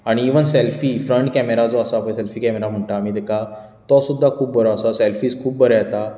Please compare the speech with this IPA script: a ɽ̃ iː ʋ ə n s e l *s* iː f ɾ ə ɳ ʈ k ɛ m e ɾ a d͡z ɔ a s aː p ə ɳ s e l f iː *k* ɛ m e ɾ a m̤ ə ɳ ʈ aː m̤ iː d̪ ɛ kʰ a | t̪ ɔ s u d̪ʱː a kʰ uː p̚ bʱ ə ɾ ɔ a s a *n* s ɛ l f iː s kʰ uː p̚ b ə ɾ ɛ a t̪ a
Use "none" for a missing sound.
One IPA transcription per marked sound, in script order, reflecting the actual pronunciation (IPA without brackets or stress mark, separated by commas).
f, k, none